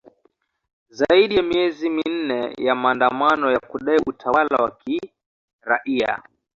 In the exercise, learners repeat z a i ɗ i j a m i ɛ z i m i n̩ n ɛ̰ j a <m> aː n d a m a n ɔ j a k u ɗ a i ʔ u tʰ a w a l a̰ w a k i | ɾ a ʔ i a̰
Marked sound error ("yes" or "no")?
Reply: no